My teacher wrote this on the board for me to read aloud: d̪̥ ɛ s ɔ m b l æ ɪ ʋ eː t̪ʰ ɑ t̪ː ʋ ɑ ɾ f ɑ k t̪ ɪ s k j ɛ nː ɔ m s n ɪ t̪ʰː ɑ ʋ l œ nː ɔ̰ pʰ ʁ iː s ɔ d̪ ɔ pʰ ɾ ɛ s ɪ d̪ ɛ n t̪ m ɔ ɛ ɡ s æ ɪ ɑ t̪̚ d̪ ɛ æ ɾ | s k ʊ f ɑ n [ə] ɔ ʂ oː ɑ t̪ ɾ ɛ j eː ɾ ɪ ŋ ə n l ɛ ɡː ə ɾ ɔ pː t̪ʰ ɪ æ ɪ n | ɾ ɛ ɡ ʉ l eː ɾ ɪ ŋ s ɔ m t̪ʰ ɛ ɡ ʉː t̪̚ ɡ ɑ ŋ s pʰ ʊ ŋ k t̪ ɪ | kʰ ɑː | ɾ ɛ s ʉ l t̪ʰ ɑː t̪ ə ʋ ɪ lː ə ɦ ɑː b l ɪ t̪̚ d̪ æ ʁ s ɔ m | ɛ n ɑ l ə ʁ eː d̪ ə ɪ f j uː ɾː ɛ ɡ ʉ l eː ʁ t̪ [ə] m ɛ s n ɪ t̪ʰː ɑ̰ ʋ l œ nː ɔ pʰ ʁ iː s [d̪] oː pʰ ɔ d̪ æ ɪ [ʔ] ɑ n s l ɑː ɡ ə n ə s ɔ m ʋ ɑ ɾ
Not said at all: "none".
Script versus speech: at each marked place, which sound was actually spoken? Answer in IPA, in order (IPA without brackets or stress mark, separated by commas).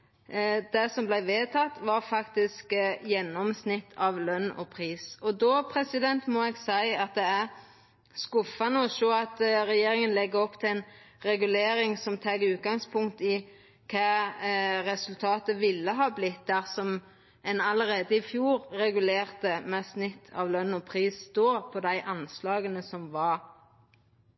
ə, ə, d̪, ʔ